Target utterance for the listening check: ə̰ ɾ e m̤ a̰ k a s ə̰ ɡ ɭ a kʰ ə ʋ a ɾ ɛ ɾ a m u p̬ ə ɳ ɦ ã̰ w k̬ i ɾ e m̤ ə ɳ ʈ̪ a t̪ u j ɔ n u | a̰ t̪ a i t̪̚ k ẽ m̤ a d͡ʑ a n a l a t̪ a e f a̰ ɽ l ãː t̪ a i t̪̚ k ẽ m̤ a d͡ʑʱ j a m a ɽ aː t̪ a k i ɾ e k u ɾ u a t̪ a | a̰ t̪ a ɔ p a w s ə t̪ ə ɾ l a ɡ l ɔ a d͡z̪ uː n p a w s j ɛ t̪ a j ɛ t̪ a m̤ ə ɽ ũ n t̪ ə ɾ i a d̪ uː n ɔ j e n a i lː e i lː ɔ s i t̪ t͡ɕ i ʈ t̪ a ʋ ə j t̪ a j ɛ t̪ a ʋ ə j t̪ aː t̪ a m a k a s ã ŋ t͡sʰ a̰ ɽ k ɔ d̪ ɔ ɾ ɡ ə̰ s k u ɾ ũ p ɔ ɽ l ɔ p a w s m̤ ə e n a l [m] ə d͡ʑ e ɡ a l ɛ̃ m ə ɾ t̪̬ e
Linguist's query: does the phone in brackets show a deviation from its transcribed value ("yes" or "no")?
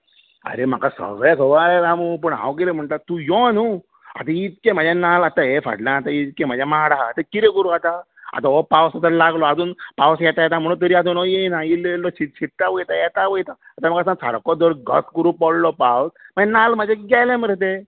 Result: no